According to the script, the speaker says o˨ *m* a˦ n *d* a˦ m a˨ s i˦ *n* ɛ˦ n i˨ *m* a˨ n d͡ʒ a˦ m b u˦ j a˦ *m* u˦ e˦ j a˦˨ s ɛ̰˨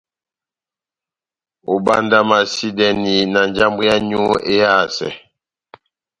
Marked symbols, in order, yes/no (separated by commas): no, yes, no, no, no